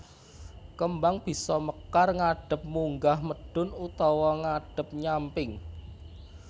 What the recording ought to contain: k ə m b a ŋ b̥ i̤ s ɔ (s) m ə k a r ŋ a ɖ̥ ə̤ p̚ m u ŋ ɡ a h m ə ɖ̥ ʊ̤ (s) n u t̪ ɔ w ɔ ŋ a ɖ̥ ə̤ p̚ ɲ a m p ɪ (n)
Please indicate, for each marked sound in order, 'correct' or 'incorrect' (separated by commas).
incorrect, incorrect, incorrect